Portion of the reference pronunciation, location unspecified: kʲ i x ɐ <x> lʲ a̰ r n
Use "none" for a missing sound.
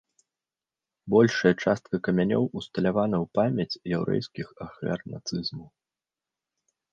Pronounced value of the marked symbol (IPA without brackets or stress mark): x